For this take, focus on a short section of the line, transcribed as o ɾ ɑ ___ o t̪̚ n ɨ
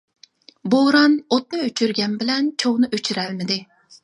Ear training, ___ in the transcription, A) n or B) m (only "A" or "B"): A